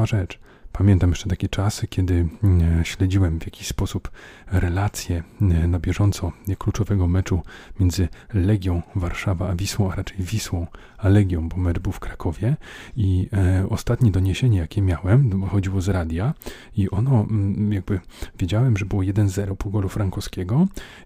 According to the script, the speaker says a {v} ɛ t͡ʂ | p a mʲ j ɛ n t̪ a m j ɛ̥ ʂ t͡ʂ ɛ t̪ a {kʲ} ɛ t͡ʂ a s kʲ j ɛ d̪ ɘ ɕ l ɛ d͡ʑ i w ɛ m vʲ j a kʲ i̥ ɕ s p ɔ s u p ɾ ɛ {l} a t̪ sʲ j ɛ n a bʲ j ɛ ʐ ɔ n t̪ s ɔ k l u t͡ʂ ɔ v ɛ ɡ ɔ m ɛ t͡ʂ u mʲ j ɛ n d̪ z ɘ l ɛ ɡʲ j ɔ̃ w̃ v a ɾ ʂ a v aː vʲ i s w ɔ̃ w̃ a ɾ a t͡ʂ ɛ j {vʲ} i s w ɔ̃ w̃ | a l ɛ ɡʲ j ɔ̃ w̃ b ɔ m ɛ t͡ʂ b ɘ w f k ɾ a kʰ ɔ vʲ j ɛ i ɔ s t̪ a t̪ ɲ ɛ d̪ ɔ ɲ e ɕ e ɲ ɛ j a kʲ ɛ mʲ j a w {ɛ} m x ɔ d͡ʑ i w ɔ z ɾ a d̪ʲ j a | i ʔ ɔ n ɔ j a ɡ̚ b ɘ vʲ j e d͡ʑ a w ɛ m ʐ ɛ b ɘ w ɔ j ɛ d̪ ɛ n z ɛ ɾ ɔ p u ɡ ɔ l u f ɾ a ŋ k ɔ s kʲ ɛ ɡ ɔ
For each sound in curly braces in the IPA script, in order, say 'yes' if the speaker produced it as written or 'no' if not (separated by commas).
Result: no, yes, yes, yes, yes